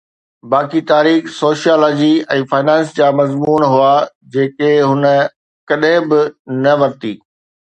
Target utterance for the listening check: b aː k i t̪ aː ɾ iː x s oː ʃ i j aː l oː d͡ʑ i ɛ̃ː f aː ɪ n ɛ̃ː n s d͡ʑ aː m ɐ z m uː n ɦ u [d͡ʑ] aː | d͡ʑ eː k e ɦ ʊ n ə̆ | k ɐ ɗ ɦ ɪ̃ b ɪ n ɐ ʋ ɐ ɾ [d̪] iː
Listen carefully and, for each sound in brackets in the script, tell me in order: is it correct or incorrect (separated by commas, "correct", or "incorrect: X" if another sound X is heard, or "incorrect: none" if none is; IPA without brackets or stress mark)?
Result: incorrect: none, incorrect: t̪